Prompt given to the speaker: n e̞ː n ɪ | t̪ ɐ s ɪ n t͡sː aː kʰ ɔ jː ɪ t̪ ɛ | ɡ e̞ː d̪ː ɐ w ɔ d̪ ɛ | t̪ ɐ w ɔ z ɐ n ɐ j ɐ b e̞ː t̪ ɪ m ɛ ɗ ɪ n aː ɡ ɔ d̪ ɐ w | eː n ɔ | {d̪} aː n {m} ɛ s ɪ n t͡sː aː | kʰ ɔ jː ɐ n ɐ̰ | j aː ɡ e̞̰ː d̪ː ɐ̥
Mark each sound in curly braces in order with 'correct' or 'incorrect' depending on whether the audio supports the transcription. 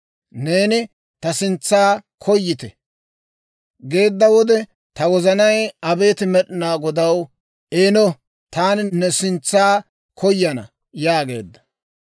incorrect: t̪, incorrect: n

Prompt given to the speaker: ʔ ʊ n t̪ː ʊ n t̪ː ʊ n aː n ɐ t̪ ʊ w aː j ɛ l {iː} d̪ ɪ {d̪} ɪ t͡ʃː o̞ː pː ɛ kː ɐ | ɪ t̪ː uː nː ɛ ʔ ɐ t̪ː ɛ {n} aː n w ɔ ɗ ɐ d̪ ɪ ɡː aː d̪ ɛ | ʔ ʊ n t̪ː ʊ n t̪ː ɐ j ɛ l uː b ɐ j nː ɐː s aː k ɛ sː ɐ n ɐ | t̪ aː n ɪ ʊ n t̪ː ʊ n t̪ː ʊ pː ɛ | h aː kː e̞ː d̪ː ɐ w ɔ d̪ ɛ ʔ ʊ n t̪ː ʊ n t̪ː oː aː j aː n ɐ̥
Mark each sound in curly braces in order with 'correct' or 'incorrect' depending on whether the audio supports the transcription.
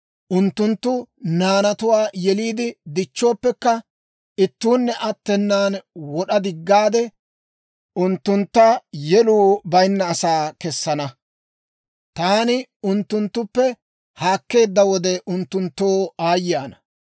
correct, correct, incorrect: nː

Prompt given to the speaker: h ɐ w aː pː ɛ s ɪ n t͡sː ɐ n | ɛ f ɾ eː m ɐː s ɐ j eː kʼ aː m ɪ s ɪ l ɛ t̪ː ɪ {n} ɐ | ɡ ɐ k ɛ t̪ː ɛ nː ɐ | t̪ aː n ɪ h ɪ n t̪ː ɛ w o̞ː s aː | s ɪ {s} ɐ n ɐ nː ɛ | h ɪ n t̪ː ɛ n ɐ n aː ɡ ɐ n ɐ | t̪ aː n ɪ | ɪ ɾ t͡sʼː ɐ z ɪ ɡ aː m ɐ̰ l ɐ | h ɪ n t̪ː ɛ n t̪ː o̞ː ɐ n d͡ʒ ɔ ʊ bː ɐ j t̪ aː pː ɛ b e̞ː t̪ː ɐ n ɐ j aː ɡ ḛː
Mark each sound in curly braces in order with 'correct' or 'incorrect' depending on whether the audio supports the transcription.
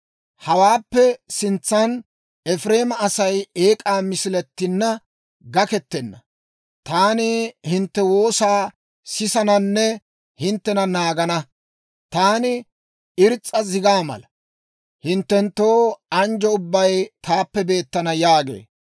incorrect: nː, correct

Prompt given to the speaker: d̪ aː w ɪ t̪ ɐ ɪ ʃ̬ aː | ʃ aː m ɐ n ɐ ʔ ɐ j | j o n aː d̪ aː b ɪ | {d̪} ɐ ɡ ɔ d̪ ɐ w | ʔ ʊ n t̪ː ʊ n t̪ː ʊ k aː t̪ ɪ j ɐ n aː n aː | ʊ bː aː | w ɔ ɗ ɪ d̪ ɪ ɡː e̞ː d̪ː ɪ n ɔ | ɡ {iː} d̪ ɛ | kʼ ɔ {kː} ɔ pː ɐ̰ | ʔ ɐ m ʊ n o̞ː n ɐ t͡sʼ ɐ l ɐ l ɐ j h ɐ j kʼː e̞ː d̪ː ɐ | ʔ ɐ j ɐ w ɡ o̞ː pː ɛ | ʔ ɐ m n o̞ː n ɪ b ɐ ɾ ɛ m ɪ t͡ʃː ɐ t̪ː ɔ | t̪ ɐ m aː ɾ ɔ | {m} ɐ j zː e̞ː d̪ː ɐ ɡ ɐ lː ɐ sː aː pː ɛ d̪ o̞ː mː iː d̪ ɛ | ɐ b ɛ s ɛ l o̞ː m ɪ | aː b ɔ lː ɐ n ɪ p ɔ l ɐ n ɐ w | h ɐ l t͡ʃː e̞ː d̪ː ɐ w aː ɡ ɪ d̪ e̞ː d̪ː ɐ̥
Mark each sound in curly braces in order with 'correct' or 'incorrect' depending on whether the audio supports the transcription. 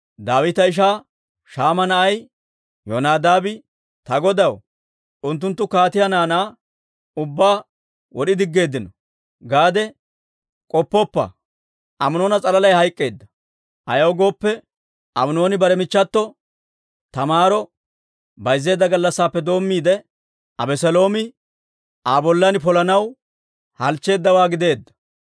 incorrect: t̪, incorrect: aː, incorrect: pː, incorrect: b

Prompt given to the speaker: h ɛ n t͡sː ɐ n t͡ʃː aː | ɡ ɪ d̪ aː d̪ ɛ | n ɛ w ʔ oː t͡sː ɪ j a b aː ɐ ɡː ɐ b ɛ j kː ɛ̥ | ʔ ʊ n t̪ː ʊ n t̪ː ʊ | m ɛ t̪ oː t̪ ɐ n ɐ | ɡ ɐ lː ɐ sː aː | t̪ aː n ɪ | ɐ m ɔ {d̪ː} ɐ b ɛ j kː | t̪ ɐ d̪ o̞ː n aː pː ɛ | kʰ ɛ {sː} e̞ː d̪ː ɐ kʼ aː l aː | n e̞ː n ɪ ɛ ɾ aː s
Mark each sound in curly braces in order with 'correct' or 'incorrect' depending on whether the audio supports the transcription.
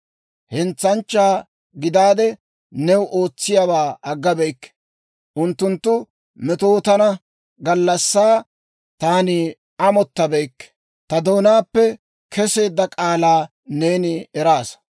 incorrect: t̪ː, incorrect: s

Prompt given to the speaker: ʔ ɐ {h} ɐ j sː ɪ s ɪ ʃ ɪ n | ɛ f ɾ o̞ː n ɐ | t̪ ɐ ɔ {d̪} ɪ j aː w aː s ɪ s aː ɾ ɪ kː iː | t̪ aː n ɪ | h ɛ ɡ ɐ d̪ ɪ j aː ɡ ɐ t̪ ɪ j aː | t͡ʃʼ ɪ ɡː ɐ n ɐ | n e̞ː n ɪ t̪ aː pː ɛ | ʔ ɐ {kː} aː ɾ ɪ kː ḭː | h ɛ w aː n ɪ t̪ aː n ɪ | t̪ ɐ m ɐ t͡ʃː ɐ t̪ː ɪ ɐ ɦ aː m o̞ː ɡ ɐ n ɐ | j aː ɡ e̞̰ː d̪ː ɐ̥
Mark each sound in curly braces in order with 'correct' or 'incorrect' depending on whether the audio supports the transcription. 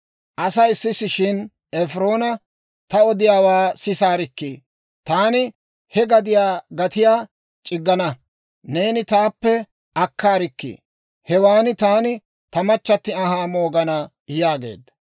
incorrect: s, correct, correct

